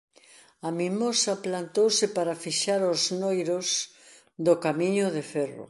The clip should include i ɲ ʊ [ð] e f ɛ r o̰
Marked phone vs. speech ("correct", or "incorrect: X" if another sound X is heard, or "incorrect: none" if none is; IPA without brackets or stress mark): correct